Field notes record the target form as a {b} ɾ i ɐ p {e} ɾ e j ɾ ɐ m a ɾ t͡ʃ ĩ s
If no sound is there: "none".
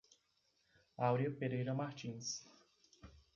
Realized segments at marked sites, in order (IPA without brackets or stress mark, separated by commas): w, e